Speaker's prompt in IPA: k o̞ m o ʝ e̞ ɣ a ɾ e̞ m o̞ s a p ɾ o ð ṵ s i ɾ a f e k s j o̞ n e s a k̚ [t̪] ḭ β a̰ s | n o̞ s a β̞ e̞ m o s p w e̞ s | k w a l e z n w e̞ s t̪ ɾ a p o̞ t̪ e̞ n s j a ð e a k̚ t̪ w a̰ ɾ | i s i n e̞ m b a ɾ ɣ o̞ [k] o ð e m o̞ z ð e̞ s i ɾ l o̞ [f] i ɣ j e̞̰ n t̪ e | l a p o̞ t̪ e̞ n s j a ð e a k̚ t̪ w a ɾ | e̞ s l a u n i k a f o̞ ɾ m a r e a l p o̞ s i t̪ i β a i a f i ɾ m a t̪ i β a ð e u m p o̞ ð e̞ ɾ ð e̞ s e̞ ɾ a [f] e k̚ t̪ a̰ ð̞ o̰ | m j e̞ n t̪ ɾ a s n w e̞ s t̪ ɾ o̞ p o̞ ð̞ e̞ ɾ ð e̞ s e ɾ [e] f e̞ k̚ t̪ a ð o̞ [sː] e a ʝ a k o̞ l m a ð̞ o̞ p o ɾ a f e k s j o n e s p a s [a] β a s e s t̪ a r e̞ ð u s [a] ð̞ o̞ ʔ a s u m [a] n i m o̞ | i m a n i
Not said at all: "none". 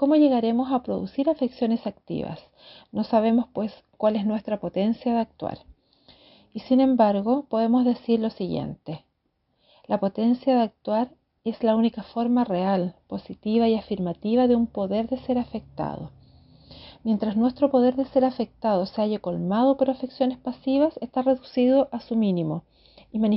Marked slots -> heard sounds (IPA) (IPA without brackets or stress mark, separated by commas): t̪, p, s, f, a, s, i, i, i